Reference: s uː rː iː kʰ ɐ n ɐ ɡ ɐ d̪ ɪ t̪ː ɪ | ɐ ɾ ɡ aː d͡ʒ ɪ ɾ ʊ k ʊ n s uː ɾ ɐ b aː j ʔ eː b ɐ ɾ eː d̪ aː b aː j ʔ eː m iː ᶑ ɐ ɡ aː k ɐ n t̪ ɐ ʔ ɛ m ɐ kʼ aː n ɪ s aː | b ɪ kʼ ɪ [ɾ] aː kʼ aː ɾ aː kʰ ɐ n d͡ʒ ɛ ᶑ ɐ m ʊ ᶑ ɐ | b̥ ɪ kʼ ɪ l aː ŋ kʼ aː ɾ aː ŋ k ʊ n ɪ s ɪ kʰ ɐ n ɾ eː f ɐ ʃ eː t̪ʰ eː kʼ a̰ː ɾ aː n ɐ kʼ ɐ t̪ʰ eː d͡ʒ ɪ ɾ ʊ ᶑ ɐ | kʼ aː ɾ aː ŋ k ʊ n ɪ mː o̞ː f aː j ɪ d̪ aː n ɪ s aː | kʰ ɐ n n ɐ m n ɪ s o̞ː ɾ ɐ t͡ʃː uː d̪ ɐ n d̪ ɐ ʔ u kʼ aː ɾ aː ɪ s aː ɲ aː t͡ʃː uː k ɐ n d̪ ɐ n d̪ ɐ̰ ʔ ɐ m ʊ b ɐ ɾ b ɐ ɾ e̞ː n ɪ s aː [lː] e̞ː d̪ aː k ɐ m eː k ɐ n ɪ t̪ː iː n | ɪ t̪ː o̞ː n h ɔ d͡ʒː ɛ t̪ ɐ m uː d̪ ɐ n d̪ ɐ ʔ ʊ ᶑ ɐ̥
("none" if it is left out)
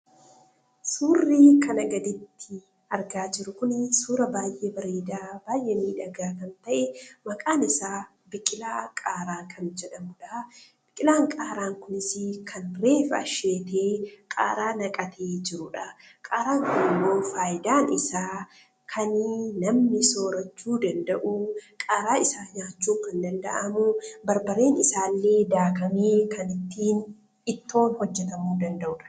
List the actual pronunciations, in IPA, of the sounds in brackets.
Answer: l, lː

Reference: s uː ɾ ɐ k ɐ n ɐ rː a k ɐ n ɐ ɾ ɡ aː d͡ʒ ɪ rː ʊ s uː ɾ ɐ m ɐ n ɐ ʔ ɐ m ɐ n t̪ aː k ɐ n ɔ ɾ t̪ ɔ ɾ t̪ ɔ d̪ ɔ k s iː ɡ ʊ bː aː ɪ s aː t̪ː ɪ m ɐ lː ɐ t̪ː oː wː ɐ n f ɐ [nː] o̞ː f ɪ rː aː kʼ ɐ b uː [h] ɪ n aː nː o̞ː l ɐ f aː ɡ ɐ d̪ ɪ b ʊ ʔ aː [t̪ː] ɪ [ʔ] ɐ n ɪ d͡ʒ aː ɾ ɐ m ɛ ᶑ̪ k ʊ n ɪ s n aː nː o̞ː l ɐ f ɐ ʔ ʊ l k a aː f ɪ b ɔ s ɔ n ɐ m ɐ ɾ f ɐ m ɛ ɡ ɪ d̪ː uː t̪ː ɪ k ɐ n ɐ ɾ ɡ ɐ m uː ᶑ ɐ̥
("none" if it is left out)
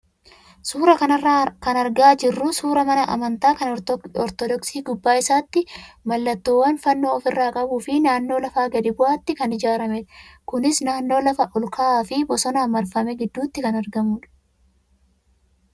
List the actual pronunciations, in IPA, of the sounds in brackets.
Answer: nː, f, t̪ː, k

